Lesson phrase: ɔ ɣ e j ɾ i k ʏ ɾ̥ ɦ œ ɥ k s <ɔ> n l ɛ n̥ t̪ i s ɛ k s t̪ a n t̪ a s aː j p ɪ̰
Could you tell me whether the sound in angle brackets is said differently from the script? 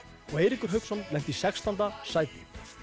no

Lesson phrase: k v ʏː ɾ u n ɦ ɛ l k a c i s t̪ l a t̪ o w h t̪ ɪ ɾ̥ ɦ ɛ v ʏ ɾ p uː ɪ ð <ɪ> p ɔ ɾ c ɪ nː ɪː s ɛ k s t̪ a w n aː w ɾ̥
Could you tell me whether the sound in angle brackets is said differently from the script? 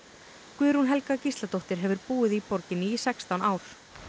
yes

